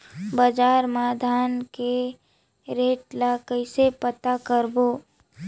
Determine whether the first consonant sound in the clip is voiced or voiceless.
voiced